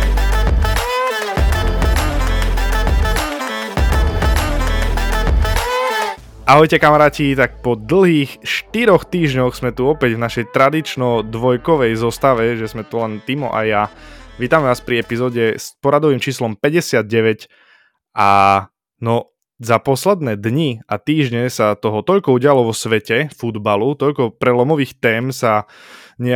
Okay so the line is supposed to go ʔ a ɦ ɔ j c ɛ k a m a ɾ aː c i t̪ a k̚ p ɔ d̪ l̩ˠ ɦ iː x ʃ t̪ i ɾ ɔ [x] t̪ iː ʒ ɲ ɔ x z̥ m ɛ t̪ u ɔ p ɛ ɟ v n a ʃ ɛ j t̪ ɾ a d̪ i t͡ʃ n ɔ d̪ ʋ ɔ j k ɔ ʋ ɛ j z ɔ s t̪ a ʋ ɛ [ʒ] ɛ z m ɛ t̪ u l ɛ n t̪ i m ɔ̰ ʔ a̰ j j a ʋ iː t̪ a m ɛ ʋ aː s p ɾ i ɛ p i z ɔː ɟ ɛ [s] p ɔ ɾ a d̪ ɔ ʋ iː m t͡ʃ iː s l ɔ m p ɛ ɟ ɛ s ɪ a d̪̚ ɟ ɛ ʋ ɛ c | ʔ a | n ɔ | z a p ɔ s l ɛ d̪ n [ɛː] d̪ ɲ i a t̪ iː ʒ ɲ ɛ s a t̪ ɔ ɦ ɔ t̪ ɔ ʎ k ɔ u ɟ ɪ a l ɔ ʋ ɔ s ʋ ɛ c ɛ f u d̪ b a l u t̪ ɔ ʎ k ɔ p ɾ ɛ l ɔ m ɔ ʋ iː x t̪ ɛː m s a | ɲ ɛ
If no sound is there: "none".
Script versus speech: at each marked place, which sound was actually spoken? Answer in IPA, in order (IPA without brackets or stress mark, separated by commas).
x, ʒ, s, ɛː